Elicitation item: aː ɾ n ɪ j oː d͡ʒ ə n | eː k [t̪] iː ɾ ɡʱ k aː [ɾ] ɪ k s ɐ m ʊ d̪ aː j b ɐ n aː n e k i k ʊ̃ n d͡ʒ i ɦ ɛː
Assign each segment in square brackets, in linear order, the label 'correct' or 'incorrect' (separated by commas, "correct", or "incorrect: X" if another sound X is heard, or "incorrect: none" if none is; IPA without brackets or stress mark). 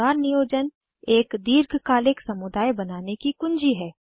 incorrect: d̪, incorrect: l